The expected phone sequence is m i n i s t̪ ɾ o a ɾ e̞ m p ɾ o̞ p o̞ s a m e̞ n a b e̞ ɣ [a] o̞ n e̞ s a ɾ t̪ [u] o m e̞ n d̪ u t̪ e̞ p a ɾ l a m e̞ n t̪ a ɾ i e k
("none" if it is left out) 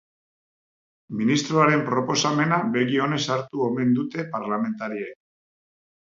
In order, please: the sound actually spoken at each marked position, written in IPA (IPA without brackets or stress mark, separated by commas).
i, u